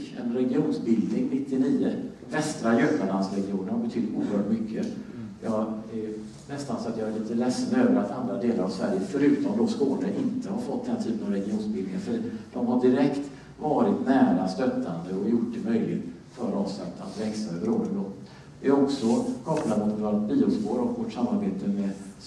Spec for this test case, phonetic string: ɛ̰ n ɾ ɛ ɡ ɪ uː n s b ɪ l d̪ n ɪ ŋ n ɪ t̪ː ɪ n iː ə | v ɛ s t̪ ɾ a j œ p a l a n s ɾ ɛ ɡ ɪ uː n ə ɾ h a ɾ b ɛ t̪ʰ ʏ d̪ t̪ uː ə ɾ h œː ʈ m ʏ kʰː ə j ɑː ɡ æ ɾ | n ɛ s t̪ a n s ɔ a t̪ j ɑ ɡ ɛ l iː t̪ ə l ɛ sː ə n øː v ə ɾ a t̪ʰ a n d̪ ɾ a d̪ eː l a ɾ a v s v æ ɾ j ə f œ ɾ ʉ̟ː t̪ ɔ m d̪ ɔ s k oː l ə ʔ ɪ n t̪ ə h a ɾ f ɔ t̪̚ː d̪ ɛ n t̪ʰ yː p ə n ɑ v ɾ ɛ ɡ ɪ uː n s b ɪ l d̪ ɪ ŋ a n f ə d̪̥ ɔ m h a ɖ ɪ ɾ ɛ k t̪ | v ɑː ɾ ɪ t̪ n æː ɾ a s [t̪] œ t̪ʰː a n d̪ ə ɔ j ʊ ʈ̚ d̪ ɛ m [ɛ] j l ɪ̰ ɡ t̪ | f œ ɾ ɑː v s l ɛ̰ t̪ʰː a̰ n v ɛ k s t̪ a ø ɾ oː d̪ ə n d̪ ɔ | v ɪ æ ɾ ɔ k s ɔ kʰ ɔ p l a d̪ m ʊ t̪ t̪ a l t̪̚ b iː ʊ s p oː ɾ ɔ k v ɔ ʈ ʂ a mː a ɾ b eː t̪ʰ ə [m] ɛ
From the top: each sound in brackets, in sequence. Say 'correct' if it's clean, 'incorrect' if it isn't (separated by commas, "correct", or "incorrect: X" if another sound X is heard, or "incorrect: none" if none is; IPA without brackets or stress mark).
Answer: correct, incorrect: œ, correct